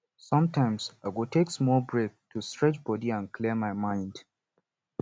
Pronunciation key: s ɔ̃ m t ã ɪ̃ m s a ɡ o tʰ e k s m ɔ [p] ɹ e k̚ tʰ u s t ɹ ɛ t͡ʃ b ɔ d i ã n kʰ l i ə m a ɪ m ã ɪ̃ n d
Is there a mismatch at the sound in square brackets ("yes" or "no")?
yes